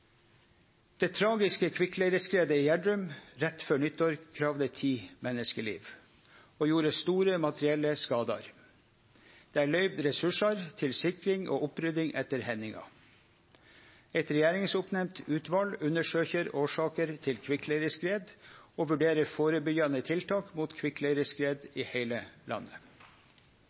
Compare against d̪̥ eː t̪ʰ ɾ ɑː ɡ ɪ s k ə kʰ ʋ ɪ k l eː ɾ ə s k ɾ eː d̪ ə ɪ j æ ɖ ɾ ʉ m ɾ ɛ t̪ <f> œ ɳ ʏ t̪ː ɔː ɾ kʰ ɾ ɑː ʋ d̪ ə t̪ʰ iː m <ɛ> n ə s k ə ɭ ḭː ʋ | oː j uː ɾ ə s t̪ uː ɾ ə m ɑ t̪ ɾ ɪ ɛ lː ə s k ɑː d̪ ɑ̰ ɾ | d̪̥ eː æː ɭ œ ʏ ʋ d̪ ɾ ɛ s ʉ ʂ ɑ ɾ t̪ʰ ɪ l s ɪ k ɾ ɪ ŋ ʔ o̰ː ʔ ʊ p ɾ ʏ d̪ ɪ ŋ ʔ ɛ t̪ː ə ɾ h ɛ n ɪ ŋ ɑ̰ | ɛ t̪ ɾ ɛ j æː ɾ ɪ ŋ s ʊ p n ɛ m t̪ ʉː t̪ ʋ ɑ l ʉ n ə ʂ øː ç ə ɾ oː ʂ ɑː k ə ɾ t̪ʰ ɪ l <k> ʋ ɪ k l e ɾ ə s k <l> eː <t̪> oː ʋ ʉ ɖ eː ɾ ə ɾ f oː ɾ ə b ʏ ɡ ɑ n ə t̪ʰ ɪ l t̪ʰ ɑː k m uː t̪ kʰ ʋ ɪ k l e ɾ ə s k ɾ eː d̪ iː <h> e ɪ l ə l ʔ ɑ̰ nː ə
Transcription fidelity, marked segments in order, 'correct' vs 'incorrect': correct, correct, incorrect: kʰ, incorrect: ɾ, incorrect: d̪, correct

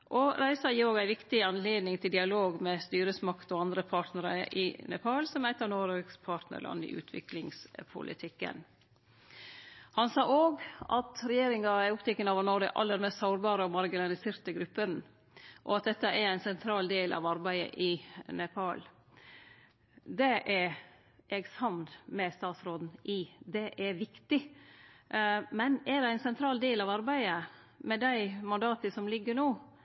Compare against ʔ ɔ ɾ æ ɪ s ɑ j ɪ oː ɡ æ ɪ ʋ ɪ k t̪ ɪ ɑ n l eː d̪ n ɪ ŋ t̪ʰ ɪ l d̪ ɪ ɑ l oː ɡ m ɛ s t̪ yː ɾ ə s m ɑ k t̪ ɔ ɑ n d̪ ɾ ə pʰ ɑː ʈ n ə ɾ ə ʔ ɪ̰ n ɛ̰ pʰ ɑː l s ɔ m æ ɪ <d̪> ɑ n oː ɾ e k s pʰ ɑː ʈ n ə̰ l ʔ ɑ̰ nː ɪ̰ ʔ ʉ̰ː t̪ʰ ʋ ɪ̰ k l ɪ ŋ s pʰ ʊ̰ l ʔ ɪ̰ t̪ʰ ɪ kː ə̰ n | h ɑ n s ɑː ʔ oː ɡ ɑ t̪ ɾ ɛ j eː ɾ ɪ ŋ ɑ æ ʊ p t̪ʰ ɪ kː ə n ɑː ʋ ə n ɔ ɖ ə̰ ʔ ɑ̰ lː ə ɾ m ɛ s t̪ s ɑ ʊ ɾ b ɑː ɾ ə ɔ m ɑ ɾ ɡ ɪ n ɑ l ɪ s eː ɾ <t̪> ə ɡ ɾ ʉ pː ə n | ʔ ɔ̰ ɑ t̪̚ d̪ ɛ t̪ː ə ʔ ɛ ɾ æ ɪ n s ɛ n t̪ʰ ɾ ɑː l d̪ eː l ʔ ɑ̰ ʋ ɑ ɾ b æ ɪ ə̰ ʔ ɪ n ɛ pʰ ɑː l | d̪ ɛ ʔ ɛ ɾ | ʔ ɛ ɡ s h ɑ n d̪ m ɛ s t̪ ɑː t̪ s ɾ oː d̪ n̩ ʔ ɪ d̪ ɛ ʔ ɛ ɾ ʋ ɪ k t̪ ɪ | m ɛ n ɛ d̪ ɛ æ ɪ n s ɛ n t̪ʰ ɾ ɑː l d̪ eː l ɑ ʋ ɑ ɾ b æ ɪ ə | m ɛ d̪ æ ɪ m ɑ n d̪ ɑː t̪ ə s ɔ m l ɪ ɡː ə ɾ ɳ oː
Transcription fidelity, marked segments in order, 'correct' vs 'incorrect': incorrect: t̪, correct

